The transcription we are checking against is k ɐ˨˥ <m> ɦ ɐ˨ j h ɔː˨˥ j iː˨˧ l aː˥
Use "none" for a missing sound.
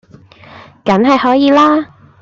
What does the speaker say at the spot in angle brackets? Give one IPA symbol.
n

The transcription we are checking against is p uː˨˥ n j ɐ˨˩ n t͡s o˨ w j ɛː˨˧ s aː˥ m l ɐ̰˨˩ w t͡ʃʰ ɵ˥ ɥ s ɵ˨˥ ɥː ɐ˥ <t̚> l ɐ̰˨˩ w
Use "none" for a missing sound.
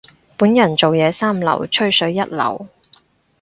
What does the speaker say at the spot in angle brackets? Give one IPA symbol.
t̚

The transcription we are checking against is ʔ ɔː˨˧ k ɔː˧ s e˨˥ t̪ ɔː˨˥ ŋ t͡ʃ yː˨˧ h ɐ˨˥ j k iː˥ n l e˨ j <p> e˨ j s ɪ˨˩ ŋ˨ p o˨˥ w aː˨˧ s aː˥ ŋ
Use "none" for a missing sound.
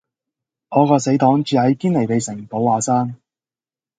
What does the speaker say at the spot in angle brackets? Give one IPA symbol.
p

